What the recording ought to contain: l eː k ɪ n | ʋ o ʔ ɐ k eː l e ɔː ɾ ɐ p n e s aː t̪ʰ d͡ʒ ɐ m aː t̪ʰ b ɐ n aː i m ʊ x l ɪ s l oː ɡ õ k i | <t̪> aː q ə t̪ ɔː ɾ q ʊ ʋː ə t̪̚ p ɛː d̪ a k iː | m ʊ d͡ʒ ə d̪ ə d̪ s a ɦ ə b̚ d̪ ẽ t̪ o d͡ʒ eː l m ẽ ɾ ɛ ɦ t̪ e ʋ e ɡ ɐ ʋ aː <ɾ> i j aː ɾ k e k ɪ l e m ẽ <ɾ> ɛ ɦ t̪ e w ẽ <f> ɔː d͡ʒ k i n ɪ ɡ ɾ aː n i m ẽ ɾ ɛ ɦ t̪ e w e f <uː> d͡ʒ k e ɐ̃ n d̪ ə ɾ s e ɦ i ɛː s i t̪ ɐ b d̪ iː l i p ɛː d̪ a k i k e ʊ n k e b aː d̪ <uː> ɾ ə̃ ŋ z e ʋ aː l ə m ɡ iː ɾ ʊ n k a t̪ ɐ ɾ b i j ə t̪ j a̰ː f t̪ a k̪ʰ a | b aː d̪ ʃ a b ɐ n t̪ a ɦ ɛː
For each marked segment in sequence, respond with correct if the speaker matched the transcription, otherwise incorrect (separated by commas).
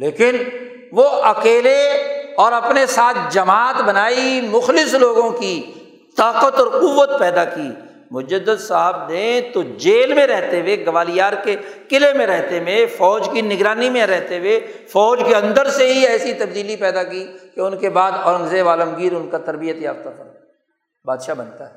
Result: correct, incorrect, correct, correct, incorrect, incorrect